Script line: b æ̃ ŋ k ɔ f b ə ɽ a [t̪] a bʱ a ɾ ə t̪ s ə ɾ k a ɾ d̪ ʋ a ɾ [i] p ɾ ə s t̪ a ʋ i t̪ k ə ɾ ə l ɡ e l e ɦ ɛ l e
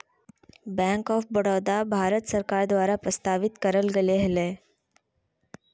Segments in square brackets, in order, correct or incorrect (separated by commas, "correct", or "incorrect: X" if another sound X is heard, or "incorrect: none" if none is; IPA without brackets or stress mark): incorrect: d̪, incorrect: a